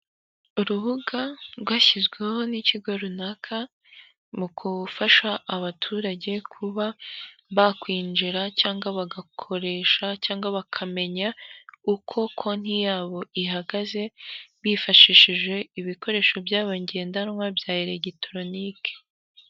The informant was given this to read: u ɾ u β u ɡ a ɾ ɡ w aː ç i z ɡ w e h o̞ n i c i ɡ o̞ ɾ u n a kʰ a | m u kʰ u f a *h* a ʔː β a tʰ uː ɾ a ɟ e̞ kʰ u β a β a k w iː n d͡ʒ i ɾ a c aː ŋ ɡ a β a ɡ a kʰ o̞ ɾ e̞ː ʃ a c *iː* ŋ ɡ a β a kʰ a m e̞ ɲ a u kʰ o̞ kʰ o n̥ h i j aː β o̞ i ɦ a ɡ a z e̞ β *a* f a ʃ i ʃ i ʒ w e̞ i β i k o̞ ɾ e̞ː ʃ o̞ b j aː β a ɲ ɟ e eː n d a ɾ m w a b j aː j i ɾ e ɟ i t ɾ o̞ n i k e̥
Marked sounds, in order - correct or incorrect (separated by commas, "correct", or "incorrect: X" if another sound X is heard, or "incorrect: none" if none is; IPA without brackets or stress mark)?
incorrect: ʃ, incorrect: aː, incorrect: i